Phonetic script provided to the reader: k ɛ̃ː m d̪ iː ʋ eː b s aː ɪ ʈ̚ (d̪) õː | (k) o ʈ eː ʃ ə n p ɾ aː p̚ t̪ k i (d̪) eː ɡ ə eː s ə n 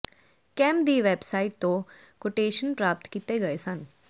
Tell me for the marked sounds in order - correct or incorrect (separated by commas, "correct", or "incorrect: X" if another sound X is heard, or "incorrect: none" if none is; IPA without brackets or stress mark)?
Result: incorrect: t̪, correct, incorrect: t̪